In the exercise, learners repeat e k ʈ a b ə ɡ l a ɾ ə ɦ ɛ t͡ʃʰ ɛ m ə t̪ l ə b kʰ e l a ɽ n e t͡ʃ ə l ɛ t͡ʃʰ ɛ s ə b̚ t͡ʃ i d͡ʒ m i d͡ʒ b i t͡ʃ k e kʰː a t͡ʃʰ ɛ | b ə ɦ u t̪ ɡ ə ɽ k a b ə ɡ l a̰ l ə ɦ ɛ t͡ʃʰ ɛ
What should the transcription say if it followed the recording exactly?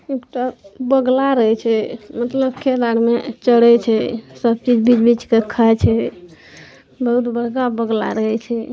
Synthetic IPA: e k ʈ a b ə ɡ l a ɾ ə ɦ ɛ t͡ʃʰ ɛ m ə t̪ l ə b kʰ e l a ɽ m e t͡ʃ ə ɽ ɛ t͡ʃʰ ɛ s ə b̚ t͡ʃ i d͡ʒ b i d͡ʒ b i t͡ʃ k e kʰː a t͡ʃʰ ɛ | b ə ɦ u t̪ b ə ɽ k a b ə ɡ l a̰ ɾ ə ɦ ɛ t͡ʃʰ ɛ